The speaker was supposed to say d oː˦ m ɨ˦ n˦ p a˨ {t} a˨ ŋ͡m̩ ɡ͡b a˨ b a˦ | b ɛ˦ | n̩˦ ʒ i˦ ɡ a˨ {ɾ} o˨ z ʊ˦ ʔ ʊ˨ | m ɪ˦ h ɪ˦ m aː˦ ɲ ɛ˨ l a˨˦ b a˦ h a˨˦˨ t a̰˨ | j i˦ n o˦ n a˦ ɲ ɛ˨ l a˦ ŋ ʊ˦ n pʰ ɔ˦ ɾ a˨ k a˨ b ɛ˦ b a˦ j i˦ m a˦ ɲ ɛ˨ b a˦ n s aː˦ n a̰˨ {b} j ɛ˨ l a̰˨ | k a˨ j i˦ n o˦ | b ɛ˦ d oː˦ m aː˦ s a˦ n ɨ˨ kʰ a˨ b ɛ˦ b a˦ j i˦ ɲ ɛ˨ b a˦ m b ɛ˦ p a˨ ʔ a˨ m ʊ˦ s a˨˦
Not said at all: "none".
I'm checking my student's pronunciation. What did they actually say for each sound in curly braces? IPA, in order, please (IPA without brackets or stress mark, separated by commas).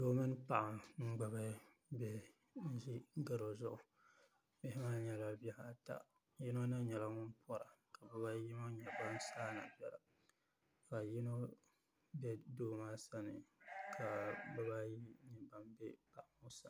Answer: ʔ, ɾ, b